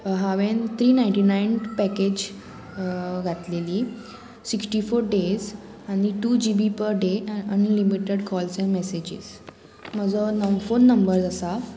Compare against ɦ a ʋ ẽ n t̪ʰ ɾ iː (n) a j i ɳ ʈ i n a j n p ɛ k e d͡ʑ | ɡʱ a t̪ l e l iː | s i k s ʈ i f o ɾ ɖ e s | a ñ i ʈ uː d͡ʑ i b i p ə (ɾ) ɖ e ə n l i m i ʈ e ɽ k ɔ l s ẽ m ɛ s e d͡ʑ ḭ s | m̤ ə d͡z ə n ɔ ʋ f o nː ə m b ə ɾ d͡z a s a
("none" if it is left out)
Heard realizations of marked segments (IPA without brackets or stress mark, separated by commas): n, ɾ